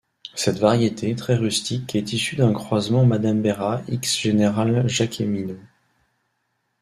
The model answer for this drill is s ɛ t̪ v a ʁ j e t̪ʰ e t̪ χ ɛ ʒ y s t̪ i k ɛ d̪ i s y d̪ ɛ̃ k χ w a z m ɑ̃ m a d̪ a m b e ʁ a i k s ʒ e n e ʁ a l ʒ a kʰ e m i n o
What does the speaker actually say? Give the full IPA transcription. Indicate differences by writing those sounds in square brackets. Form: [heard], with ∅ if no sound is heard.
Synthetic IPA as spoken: s ɛ t̪ v a ʁ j e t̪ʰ e t̪ χ ɛ [ʁ] y s t̪ i k ɛ [t̪] i s y d̪ ɛ̃ k χ w a z m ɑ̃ m a d̪ a m b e ʁ a i k s ʒ e n e ʁ a l ʒ a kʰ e m i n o